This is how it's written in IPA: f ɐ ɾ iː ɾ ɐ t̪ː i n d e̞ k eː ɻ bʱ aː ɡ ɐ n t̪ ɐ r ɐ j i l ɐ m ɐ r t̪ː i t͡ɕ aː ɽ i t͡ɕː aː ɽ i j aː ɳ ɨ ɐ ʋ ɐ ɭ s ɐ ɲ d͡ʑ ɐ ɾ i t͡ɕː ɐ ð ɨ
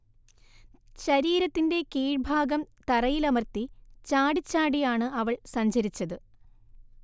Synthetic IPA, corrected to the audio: ɕ ɐ ɾ iː ɾ ɐ t̪ː i n d e̞ k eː ɻ bʱ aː ɡ ɐ m t̪ ɐ r ɐ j i l ɐ m ɐ r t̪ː i t͡ɕ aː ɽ i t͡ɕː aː ɽ i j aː ɳ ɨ ɐ ʋ ɐ ɭ s ɐ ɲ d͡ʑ ɐ ɾ i t͡ɕː ɐ ð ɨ

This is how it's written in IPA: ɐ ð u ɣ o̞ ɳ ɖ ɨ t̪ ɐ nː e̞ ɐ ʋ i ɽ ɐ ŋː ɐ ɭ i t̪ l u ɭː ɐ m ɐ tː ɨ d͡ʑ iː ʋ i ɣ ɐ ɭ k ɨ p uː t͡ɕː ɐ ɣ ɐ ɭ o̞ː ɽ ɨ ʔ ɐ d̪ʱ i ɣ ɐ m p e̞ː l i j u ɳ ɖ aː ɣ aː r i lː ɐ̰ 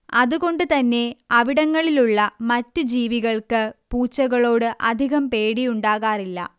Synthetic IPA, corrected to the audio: ɐ ð u ɣ o̞ ɳ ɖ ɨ t̪ ɐ nː e̞ ɐ ʋ i ɽ ɐ ŋː ɐ ɭ i l u ɭː ɐ m ɐ tː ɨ d͡ʑ iː ʋ i ɣ ɐ ɭ k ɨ p uː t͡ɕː ɐ ɣ ɐ ɭ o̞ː ɽ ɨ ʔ ɐ d̪ʱ i ɣ ɐ m p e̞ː ɽ i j u ɳ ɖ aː ɣ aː r i lː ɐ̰

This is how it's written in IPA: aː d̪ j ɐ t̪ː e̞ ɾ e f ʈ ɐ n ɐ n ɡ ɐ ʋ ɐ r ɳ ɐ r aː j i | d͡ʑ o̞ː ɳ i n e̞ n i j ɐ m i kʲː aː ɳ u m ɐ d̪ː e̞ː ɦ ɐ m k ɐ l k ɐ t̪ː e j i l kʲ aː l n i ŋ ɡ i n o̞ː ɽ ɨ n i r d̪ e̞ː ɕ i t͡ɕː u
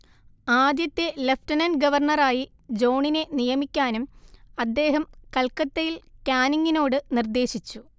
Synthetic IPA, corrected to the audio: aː d̪ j ɐ t̪ː e̞ l e f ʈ ɐ n ɐ n ɡ ɐ ʋ ɐ r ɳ ɐ r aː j i | d͡ʑ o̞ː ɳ i n e̞ n i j ɐ m i kʲː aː n u m ɐ d̪ː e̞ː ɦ ɐ m k ɐ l k ɐ t̪ː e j i l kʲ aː n i ŋ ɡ i n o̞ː ɽ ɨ n i r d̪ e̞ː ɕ i t͡ɕː u

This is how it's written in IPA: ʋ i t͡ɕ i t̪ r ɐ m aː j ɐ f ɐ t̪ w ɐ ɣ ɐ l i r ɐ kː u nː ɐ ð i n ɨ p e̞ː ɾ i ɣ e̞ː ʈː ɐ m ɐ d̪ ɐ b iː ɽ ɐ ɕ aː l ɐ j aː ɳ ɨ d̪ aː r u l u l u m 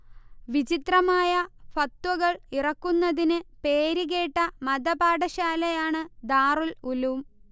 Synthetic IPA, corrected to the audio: ʋ i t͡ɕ i t̪ r ɐ m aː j ɐ f ɐ t̪ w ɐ ɣ ɐ ɭ i r ɐ kː u nː ɐ ð i n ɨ p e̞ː ɾ i ɣ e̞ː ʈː ɐ m ɐ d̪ ɐ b aː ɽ ɐ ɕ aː l ɐ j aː ɳ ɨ d̪ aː r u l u l u m

